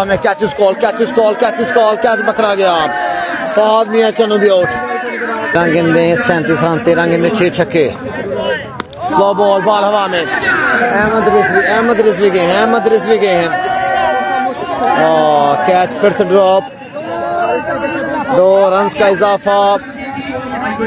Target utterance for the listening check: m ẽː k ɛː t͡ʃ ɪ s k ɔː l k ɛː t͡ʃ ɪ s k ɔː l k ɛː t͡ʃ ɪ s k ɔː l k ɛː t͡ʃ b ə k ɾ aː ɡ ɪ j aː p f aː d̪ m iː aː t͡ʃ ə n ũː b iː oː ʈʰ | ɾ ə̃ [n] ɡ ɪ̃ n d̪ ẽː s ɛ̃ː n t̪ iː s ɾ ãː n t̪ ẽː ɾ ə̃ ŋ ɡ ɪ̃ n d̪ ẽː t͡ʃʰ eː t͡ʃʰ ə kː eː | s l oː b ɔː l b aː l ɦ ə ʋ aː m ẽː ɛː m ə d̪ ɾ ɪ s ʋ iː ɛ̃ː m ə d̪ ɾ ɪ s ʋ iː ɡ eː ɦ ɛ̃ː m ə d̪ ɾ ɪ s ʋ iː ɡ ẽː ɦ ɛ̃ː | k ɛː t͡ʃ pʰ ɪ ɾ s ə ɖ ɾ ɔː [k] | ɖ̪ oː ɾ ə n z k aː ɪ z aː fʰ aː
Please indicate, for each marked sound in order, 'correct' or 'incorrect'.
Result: incorrect, incorrect

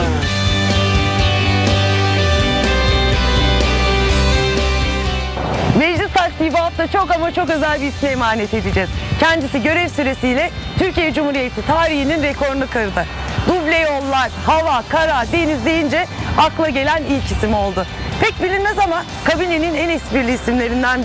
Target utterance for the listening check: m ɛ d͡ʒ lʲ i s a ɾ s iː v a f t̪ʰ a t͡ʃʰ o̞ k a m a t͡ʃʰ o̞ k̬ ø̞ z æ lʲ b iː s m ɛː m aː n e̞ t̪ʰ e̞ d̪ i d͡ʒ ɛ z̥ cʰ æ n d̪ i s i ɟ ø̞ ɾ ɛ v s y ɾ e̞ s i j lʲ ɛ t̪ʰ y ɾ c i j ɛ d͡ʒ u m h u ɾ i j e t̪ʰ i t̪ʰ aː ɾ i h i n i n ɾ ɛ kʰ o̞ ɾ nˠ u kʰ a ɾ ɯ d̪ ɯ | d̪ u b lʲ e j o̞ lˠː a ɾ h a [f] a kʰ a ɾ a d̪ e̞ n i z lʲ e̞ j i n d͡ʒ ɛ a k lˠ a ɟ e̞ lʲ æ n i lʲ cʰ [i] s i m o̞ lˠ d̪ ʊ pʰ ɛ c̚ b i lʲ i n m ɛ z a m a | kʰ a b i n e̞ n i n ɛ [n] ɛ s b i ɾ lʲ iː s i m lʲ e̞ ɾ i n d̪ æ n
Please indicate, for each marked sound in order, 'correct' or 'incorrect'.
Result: incorrect, correct, correct

